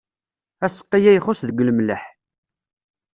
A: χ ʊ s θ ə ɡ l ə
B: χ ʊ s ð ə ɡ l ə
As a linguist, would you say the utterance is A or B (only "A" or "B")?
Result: B